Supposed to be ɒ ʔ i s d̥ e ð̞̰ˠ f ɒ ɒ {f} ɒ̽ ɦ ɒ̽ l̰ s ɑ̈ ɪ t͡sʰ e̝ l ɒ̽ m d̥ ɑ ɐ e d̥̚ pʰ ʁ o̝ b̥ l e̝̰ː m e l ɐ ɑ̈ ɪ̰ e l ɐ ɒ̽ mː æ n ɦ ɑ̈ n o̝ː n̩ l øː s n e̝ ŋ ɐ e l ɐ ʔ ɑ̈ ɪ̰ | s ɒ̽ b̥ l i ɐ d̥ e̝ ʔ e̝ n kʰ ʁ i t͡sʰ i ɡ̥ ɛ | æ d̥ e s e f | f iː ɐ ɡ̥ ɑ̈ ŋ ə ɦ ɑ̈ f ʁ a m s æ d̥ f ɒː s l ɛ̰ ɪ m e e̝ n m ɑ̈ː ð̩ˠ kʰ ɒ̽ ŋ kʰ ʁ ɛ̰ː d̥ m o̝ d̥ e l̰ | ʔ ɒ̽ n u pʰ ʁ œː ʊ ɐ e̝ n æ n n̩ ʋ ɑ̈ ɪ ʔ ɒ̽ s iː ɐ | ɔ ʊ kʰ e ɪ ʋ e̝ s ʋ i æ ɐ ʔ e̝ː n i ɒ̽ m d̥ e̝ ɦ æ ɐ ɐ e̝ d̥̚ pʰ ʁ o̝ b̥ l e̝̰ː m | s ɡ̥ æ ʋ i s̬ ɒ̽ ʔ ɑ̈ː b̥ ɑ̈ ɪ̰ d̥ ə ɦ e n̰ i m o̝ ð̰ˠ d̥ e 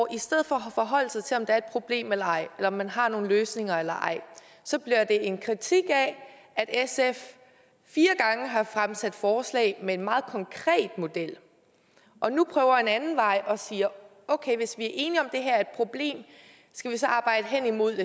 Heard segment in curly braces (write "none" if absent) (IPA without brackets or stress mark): f